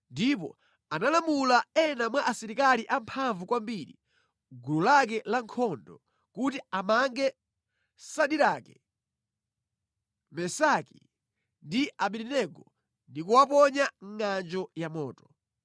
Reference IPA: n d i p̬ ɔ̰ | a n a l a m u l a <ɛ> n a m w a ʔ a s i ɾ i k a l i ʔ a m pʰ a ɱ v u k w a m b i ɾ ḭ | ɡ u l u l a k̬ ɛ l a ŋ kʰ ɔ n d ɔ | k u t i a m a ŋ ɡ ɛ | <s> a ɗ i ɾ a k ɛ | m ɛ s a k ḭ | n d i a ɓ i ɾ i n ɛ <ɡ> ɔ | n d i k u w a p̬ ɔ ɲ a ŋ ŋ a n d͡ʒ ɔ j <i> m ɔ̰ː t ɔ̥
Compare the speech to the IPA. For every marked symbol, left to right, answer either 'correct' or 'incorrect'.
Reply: correct, correct, correct, incorrect

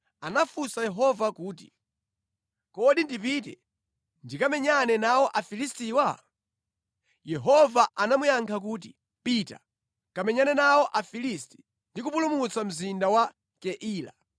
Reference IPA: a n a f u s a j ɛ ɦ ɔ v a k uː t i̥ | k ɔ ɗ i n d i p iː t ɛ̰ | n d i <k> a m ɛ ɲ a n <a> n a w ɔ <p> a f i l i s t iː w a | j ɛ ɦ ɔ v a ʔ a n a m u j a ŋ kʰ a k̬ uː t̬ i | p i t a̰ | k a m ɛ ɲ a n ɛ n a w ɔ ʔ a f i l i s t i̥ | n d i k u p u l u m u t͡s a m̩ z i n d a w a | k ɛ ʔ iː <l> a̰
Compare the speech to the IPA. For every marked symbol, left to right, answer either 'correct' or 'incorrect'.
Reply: correct, incorrect, incorrect, correct

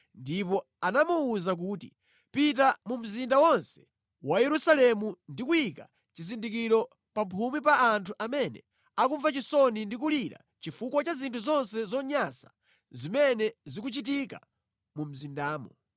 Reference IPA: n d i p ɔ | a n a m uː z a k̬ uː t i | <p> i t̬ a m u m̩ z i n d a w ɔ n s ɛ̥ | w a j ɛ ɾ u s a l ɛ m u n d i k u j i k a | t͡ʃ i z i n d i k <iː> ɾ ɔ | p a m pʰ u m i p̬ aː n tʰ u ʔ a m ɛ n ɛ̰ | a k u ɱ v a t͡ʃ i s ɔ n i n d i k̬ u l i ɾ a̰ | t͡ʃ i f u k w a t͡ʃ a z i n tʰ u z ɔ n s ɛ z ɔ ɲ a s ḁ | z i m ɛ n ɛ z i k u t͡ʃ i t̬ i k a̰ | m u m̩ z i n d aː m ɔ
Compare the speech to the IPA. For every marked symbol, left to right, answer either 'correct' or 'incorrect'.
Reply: correct, incorrect

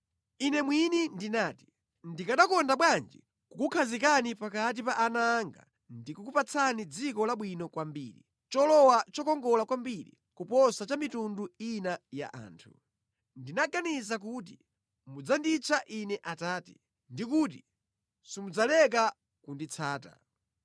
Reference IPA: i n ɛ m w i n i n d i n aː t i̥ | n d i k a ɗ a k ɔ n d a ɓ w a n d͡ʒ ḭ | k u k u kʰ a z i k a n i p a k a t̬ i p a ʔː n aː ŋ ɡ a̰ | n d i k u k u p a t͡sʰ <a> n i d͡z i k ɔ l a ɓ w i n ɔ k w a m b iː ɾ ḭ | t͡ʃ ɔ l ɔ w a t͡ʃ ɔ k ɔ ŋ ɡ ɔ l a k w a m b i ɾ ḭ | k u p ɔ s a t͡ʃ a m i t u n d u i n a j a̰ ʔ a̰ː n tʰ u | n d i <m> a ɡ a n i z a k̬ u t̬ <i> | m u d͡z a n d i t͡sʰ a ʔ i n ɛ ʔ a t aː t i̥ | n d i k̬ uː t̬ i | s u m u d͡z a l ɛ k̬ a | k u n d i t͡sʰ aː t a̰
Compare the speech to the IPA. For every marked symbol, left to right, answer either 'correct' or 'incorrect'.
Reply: correct, incorrect, correct

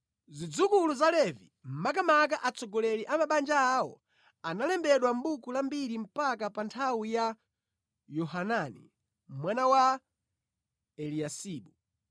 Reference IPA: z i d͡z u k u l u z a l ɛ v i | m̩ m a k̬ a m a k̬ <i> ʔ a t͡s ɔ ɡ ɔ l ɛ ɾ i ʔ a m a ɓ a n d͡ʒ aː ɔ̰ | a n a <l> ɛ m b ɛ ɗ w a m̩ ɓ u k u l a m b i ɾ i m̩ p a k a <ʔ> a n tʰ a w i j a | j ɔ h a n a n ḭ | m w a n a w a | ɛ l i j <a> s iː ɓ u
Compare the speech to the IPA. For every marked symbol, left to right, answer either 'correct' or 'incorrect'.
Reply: incorrect, correct, incorrect, correct

